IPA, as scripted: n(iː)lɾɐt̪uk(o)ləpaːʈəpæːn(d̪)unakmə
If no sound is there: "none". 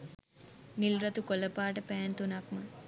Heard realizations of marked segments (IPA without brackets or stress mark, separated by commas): i, o, t̪